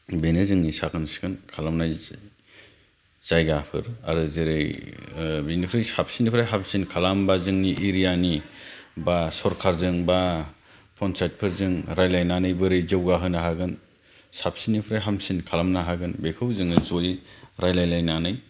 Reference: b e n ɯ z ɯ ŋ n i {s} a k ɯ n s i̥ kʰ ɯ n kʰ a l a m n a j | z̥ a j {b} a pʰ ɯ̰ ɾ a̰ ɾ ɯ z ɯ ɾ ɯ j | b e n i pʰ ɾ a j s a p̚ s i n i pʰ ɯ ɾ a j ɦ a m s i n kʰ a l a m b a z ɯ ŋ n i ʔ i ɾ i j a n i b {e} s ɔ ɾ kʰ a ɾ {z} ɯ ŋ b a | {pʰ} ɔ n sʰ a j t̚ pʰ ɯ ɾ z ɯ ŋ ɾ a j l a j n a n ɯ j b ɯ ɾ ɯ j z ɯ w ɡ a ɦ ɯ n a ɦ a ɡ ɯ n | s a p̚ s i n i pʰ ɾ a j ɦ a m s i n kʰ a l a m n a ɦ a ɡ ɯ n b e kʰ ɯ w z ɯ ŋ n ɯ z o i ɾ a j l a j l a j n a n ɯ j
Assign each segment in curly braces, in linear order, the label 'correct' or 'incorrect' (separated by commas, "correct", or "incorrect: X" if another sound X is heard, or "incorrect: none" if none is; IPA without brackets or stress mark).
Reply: correct, incorrect: ɡ, incorrect: a, correct, correct